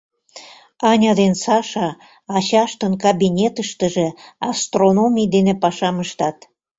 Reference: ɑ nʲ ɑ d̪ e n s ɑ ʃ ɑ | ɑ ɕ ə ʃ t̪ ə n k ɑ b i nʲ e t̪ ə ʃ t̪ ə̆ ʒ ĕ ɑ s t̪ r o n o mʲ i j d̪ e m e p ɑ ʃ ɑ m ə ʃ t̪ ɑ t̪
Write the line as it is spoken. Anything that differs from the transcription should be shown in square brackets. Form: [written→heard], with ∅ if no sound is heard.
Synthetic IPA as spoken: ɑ nʲ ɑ d̪ e n s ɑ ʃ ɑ | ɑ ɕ [ə→ɑ] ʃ t̪ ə n k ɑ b i nʲ e t̪ ə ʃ t̪ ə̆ ʒ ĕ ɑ s t̪ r o n o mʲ i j d̪ e [m→n] e p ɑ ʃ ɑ m ə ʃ t̪ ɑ t̪